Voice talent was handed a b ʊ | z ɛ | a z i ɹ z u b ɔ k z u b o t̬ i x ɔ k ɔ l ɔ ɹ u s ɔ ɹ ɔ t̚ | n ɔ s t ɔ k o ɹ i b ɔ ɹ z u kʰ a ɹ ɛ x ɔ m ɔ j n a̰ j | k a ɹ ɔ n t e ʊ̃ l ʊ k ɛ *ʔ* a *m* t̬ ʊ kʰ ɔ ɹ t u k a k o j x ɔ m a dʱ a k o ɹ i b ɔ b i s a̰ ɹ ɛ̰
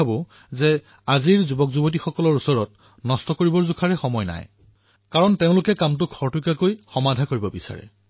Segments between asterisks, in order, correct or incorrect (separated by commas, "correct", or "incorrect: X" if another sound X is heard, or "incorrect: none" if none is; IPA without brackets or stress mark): incorrect: k, correct